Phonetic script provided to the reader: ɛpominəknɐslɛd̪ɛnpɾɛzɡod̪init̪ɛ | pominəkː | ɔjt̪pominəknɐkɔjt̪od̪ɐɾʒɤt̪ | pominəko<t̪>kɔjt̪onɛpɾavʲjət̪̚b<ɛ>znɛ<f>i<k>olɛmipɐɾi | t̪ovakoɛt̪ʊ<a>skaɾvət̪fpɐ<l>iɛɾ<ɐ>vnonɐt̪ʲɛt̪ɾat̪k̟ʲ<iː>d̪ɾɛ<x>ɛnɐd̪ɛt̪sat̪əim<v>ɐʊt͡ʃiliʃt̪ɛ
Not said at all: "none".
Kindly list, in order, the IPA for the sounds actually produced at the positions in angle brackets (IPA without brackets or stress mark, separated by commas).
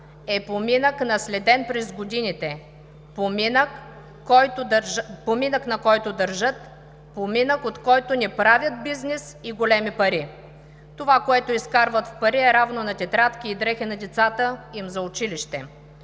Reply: t̪, i, s, ɡ, i, ɾ, a, iː, x, z